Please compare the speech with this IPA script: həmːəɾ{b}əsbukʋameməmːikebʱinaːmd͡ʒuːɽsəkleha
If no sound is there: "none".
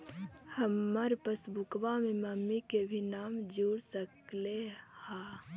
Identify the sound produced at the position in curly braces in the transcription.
p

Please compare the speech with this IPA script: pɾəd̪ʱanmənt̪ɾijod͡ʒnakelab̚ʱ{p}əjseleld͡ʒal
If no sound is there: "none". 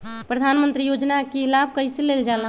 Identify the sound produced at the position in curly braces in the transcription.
k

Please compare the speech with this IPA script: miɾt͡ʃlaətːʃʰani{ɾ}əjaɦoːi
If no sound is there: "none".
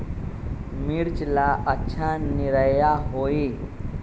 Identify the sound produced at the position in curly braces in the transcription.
ɾ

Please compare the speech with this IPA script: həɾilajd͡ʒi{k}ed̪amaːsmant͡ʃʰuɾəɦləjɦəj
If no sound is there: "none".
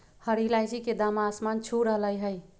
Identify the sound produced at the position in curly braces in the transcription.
k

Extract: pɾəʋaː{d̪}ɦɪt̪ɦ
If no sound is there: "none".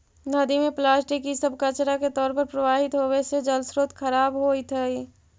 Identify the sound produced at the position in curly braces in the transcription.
none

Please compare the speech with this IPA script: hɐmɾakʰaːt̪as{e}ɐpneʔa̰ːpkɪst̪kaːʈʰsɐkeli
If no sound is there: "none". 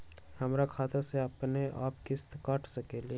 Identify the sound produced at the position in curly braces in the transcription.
e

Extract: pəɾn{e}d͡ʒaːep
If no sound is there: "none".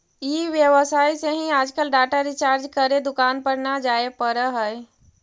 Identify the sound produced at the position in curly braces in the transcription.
a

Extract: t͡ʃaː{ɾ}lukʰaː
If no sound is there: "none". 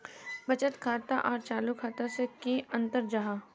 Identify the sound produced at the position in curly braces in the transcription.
none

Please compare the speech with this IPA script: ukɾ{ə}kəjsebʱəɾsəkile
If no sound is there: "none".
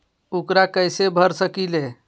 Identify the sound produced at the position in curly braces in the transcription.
a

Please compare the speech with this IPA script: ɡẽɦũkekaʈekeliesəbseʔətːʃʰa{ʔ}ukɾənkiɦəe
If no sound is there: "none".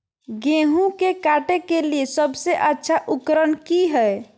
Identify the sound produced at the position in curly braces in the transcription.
ʔ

